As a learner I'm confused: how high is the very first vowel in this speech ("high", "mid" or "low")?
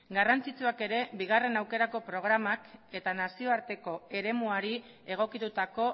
low